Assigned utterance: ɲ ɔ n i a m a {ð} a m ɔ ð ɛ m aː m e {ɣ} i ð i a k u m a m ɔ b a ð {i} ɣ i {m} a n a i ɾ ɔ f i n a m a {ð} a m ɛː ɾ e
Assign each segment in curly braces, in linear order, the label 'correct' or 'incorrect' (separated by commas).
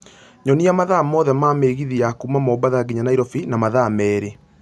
correct, correct, incorrect, incorrect, correct